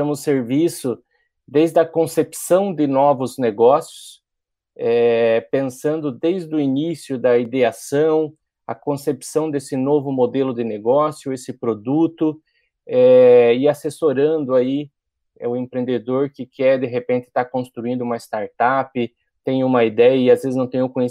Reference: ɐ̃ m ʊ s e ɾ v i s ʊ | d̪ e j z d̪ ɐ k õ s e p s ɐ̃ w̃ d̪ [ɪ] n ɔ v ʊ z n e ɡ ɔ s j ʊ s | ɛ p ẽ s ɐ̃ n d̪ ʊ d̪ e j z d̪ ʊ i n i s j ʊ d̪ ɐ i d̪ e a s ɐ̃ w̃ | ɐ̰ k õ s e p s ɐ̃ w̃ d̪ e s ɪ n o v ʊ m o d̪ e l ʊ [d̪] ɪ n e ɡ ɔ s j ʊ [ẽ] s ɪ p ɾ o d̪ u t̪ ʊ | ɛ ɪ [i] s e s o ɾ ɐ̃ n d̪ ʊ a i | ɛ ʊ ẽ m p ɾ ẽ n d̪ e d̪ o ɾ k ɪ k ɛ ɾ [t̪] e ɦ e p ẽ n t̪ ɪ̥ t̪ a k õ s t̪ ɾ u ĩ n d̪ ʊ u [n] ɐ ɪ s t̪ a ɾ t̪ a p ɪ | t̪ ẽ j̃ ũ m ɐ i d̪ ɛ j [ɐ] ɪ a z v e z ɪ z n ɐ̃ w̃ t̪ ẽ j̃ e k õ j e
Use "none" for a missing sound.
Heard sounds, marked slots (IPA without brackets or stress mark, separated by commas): ɪ, d̪, e, a, d̪, m, ɐ